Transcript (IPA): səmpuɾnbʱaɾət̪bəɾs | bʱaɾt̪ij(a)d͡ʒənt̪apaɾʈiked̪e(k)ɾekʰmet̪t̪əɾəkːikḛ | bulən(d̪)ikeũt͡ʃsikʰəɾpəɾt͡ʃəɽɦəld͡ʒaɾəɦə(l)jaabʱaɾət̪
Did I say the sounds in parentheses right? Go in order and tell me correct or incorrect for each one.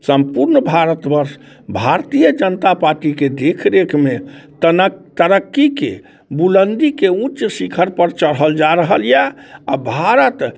incorrect: ə, incorrect: kʰ, correct, correct

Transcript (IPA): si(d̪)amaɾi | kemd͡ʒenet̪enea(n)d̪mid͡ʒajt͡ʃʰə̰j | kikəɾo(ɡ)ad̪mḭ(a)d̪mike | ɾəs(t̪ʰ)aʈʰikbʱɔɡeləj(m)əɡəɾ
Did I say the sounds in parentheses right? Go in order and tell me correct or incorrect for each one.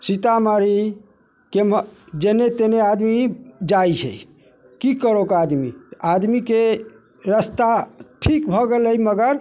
incorrect: t̪, incorrect: none, incorrect: k, correct, incorrect: t̪, correct

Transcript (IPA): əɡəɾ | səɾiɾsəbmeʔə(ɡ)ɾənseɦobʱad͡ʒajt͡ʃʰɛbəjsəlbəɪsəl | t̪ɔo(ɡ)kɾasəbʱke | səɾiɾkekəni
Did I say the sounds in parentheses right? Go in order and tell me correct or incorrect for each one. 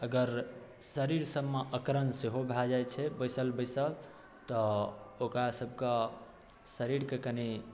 incorrect: k, incorrect: none

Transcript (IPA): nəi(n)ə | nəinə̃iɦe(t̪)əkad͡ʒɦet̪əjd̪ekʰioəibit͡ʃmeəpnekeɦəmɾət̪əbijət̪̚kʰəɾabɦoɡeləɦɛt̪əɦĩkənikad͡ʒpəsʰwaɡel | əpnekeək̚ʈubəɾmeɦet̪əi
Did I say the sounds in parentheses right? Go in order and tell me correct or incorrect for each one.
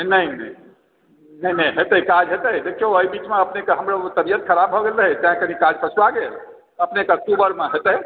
correct, correct

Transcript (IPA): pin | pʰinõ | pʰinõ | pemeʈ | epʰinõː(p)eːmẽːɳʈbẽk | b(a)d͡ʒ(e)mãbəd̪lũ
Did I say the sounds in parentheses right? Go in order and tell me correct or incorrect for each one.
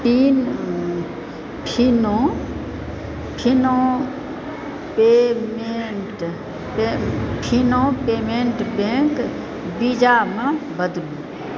correct, incorrect: i, incorrect: a

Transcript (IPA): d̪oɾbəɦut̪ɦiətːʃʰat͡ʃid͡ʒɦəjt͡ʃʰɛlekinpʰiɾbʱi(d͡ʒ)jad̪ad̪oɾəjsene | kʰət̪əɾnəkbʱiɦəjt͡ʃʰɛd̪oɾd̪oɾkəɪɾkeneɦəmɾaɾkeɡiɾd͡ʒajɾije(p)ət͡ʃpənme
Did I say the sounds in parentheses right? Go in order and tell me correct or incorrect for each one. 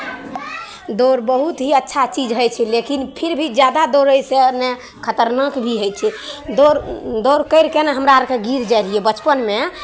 correct, incorrect: b

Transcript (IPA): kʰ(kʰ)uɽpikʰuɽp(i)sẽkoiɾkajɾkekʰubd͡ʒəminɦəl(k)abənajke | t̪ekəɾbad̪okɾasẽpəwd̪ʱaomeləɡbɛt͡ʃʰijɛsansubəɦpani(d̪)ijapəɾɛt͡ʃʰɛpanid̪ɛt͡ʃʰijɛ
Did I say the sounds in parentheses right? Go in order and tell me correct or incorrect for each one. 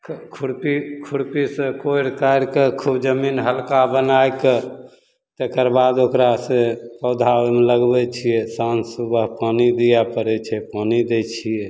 correct, correct, correct, correct

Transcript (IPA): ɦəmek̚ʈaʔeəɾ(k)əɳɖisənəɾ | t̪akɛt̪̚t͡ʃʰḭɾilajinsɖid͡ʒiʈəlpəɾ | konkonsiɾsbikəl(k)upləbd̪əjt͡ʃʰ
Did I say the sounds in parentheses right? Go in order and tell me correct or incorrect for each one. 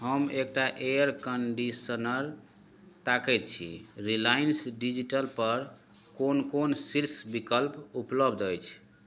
correct, incorrect: p

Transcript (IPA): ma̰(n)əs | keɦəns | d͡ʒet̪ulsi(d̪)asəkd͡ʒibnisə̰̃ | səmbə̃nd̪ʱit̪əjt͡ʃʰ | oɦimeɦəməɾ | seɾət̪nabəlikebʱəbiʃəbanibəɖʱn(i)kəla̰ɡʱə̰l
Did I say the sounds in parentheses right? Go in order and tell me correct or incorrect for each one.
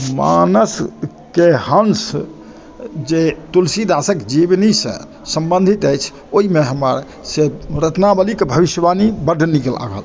correct, correct, correct

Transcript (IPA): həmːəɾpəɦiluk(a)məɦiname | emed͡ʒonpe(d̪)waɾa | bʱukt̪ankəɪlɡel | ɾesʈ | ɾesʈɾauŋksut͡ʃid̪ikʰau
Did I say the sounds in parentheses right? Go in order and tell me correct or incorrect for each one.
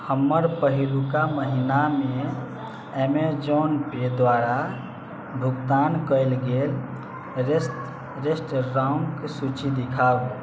correct, correct

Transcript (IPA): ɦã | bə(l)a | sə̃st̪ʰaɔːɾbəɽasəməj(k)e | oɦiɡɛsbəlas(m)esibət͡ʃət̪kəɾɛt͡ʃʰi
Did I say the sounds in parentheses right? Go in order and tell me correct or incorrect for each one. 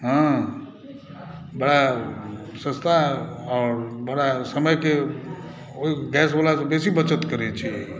incorrect: ɽ, correct, incorrect: b

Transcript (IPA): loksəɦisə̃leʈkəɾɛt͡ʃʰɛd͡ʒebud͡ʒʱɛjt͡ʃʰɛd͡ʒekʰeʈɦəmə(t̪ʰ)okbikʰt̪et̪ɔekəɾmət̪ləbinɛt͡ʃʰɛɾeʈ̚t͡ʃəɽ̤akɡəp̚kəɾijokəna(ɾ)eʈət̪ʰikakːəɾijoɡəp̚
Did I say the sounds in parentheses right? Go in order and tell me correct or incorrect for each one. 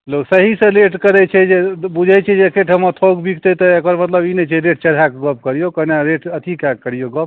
correct, correct

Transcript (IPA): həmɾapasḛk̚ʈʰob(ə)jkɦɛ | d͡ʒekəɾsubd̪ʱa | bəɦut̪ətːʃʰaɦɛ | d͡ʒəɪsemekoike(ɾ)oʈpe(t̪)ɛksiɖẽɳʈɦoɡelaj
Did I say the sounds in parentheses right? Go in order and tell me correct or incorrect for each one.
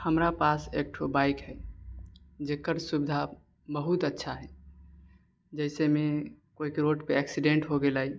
incorrect: a, correct, incorrect: none

